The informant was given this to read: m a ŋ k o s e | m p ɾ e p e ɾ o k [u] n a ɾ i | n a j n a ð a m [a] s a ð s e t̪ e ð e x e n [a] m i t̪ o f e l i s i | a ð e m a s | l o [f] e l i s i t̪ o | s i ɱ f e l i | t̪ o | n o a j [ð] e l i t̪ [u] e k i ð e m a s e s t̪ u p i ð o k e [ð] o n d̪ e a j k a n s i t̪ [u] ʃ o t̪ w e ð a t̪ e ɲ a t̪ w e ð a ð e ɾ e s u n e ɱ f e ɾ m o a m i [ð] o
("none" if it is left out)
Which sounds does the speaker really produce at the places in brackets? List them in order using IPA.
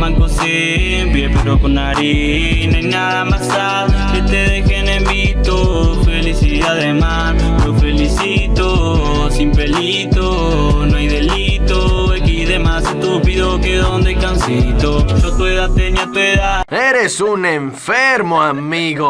o, a, e, f, ð, o, ð, o, ɣ

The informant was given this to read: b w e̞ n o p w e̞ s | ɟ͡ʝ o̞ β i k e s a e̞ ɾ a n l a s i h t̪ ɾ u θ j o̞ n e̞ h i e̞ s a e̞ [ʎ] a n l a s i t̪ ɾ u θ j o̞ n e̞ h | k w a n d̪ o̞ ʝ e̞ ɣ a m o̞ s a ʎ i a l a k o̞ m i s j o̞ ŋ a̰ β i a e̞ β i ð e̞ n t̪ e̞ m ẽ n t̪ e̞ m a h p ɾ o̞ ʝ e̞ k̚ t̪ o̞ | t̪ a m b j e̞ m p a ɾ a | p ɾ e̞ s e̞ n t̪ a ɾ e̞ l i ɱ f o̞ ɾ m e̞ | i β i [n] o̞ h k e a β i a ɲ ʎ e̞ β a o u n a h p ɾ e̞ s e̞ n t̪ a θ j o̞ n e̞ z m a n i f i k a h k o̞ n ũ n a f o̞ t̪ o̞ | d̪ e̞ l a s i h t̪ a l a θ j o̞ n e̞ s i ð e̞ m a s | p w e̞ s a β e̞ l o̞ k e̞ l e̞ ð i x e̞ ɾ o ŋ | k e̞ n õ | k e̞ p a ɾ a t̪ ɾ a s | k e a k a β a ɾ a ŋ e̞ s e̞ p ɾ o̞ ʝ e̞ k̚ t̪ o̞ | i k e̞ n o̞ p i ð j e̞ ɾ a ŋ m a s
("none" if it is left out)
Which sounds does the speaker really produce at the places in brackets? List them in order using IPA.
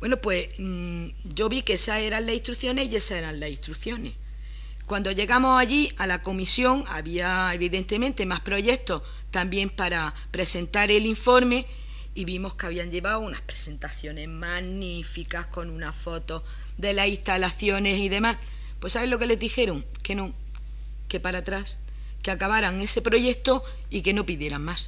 ɾ, m

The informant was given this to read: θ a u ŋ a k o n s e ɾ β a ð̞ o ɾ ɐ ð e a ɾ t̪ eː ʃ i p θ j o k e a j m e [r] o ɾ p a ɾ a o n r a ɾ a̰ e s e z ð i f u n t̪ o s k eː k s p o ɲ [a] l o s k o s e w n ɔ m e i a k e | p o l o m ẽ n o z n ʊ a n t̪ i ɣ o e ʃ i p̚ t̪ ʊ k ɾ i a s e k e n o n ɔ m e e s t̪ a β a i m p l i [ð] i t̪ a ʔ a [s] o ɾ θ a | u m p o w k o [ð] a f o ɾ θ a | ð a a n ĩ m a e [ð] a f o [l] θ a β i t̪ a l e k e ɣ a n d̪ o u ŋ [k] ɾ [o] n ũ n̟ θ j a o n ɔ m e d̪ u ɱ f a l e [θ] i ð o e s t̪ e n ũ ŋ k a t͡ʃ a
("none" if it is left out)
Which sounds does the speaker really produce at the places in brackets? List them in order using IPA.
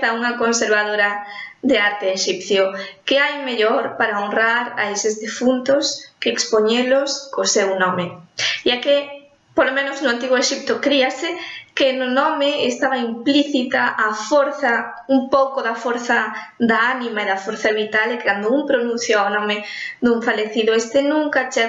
ʎ, e, θ, f, ð, ð, ɾ, p, o, θ

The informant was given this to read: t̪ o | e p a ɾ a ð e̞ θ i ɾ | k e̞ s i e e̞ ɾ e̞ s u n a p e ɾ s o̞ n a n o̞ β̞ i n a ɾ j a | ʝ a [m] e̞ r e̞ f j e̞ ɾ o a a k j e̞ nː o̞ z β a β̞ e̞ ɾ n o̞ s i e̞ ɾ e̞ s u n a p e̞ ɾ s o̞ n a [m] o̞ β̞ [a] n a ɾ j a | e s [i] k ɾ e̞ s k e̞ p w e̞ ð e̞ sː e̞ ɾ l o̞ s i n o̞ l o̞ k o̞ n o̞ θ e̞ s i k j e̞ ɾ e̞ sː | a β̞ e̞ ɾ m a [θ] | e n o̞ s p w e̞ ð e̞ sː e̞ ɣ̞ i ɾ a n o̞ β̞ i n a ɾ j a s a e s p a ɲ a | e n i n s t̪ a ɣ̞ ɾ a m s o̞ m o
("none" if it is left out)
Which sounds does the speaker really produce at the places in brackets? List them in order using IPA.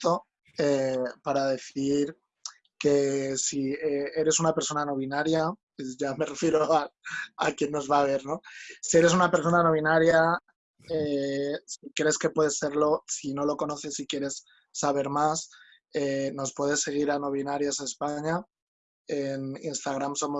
m, n, i, i, s

